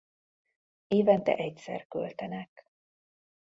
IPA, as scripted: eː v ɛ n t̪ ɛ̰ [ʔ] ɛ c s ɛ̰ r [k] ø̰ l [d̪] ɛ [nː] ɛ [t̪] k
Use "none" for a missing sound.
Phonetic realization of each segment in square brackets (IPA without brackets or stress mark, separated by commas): ʔ, k, t̪, n, none